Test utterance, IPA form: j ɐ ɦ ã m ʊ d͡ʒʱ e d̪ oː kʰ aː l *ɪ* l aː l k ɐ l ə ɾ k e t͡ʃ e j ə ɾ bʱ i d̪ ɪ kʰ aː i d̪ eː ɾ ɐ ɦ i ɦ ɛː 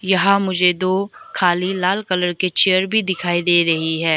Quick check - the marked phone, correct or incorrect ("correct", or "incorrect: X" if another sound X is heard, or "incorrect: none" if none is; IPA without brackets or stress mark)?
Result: incorrect: i